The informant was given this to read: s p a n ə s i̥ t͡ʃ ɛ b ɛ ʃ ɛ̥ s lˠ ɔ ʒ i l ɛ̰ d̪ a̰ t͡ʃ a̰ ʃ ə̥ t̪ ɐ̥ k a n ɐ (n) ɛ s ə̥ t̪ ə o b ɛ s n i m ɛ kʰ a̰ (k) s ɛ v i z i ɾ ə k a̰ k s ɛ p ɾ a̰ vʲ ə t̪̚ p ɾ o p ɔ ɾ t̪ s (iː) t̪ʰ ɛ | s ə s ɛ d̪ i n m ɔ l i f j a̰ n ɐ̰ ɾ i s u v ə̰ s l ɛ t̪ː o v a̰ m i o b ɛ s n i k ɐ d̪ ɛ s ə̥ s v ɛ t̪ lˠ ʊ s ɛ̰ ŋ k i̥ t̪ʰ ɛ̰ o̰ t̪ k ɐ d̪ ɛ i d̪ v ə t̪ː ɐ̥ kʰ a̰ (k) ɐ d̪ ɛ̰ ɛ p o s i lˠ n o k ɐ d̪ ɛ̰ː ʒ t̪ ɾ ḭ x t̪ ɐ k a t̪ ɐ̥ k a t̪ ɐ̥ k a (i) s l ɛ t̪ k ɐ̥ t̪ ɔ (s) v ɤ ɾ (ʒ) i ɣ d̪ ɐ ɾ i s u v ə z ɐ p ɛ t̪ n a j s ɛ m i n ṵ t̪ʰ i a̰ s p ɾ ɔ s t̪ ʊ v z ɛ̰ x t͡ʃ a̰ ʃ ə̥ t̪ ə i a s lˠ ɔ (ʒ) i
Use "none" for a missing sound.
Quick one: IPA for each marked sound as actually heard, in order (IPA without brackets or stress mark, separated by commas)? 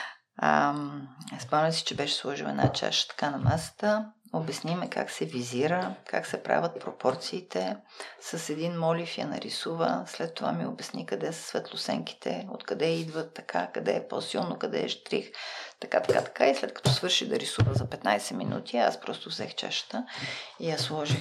m, k, iː, k, i, s, ʃ, ʒ